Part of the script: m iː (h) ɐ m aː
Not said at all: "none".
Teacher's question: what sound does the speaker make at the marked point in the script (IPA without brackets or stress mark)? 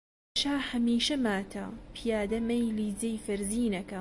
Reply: ʃ